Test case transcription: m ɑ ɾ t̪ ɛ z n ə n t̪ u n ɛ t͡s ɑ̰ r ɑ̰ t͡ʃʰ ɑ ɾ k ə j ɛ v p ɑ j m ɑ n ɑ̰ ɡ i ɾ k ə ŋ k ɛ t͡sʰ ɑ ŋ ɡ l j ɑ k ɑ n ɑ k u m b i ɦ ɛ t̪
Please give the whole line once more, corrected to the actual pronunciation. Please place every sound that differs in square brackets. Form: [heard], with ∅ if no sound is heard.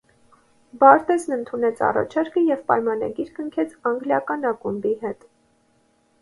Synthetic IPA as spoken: [b] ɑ ɾ t̪ ɛ z n ə n [t̪ʰ] u n ɛ [t͡sʰ] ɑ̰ r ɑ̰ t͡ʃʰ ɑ ɾ k ə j ɛ v p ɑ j m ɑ n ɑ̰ ɡ i ɾ k ə ŋ [kʰ] ɛ t͡sʰ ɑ ŋ ɡ l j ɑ k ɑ n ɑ k u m b i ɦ ɛ t̪

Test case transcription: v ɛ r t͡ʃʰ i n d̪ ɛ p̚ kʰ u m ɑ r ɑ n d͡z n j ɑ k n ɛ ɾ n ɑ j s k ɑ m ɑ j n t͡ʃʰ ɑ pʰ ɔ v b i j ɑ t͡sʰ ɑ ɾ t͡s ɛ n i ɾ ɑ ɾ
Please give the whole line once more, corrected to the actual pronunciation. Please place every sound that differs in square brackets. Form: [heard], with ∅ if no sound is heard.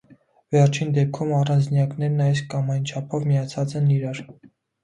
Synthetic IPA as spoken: v ɛ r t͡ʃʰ i n d̪ ɛ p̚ kʰ u m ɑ r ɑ n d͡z n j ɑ k n ɛ ɾ n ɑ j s k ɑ m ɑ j n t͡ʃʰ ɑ pʰ ɔ v [m] i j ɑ t͡sʰ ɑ [∅] t͡s ɛ n i ɾ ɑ ɾ

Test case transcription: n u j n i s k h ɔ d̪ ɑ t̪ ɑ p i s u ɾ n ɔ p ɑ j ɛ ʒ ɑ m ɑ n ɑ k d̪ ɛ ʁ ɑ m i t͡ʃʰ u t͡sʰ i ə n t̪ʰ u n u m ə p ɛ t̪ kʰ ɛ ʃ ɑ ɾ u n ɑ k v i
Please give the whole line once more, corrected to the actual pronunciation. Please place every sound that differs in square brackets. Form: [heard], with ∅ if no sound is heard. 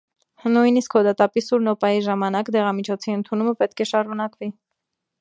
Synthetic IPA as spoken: n u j n i s k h ɔ d̪ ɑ t̪ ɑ p i s u ɾ n ɔ p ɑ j [i] ʒ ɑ m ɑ n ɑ k d̪ ɛ ʁ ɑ m i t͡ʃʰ [ɔ] t͡sʰ i ə n t̪ʰ u n u m ə p ɛ t̪ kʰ ɛ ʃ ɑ ɾ u n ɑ k v i

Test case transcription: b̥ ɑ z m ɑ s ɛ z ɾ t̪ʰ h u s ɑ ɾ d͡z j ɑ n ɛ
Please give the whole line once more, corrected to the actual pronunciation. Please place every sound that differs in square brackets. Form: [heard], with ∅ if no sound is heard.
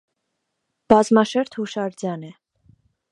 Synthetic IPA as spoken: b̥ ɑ z m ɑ [ʃ] ɛ [∅] ɾ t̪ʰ h u [ʃ] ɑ ɾ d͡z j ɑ n ɛ

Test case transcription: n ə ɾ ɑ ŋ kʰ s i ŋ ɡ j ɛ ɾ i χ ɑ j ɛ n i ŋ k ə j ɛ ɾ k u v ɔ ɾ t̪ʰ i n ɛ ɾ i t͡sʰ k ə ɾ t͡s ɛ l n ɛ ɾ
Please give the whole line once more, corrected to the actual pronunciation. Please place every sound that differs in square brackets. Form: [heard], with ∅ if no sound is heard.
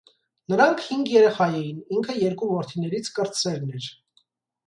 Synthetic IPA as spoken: n ə ɾ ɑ ŋ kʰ [h] i ŋ ɡ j ɛ ɾ [ɛ] χ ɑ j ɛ n i ŋ [kʰ] ə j ɛ ɾ k u v ɔ ɾ t̪ʰ i n ɛ ɾ i t͡sʰ k ə ɾ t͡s ɛ l n ɛ ɾ

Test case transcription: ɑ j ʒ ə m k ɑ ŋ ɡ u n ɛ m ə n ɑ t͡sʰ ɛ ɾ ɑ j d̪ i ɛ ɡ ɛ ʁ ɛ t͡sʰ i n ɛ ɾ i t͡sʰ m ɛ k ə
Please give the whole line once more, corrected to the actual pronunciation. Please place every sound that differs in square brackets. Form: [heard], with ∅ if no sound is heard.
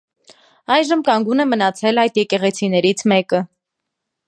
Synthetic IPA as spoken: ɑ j ʒ ə m k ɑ ŋ ɡ u n ɛ m ə n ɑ t͡sʰ ɛ [l] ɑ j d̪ [j] ɛ [k] ɛ ʁ ɛ t͡sʰ i n ɛ ɾ i t͡sʰ m ɛ k ə

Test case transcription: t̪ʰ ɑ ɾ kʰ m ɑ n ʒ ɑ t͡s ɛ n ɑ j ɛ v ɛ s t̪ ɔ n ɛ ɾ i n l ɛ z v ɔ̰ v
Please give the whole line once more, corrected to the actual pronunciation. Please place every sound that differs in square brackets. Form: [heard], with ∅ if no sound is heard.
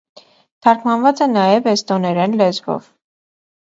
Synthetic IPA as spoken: t̪ʰ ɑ ɾ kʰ m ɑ n [v] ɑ t͡s ɛ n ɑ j ɛ v ɛ s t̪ ɔ n ɛ ɾ [ɛ] n l ɛ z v ɔ̰ v

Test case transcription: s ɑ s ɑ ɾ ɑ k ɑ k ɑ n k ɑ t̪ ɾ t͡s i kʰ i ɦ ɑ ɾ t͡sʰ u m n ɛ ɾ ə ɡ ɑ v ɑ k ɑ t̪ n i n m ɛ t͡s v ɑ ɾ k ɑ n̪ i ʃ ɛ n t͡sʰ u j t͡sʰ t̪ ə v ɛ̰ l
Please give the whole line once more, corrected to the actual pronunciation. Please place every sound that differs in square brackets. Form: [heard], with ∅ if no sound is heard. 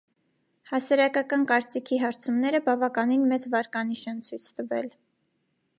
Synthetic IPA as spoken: [h] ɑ s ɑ ɾ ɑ k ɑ k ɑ n k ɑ [∅] ɾ t͡s i kʰ i ɦ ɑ ɾ t͡sʰ u m n ɛ ɾ ə [b] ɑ v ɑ k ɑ [∅] n i n m ɛ t͡s v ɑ ɾ k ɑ n̪ i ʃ ɛ n t͡sʰ u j t͡sʰ t̪ ə v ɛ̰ l

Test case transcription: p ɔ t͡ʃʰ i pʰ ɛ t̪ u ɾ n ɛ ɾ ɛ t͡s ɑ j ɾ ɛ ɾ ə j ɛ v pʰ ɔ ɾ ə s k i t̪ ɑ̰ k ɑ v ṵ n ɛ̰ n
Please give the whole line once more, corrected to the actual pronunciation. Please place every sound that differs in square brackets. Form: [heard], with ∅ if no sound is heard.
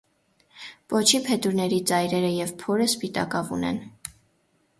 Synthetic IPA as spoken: p ɔ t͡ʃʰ i pʰ ɛ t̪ u ɾ n ɛ ɾ [i] t͡s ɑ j ɾ ɛ ɾ ə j ɛ v pʰ ɔ ɾ ə s [p] i t̪ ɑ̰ k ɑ v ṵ n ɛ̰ n

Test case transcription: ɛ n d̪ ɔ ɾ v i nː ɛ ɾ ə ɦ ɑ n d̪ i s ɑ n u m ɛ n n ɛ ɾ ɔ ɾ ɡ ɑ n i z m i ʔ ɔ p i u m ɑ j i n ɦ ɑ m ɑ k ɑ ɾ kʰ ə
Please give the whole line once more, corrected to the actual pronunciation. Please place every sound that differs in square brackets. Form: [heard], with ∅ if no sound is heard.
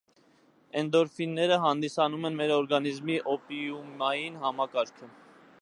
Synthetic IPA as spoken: ɛ n d̪ ɔ ɾ [f] i nː ɛ ɾ ə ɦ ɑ n d̪ i s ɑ n u m ɛ n [m] ɛ ɾ ɔ ɾ ɡ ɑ n i z m i ʔ ɔ p i u m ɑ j i n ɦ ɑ m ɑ k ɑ ɾ kʰ ə

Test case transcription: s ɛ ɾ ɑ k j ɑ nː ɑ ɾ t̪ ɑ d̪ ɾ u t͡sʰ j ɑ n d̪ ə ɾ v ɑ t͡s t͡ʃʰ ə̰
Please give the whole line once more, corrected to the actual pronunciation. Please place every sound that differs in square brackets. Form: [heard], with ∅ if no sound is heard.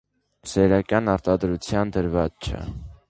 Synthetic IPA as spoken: s ɛ ɾ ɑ k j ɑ [n] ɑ ɾ t̪ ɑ d̪ ɾ u t͡sʰ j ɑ n d̪ ə ɾ v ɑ t͡s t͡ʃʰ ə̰

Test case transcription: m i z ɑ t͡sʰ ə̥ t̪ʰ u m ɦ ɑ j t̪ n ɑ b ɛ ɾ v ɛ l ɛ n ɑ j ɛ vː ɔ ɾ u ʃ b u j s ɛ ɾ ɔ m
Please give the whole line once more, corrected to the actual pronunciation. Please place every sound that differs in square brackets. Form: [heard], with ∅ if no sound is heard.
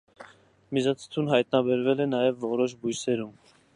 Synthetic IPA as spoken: m i z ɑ t͡sʰ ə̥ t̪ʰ u [n] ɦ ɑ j t̪ n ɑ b ɛ ɾ v ɛ l ɛ n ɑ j ɛ vː ɔ ɾ [ɔ] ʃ b u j s ɛ ɾ [u] m

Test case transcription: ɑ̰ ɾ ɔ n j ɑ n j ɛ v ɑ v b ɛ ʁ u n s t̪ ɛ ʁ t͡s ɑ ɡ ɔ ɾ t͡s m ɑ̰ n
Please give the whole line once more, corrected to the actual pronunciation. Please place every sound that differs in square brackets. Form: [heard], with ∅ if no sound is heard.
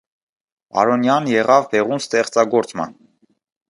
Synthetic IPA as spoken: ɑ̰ ɾ ɔ n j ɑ n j ɛ [ʁ] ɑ v b ɛ ʁ u n s t̪ ɛ [χ] t͡s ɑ ɡ ɔ ɾ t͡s m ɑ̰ n

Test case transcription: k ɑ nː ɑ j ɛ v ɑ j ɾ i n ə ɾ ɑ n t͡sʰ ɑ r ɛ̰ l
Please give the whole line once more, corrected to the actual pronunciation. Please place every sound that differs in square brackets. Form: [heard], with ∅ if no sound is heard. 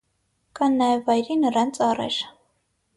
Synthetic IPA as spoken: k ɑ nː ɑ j ɛ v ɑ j ɾ i n ə ɾ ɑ n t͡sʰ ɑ r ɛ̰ [ɾ]

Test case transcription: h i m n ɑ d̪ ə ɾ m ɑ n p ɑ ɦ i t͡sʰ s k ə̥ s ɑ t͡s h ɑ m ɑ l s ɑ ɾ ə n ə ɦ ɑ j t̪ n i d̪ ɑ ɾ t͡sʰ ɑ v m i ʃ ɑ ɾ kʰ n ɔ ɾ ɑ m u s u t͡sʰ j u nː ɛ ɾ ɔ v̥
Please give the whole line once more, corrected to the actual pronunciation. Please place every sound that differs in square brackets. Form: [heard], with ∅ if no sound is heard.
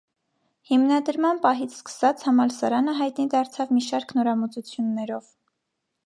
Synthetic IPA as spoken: h i m n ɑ d̪ ə ɾ m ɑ n p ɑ ɦ i t͡sʰ s k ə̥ s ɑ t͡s h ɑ m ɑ l s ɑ ɾ [ɑ] n ə ɦ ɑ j t̪ n i d̪ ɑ ɾ t͡sʰ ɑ v m i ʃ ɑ ɾ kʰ n ɔ ɾ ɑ m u [t͡s] u t͡sʰ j u nː ɛ ɾ ɔ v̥

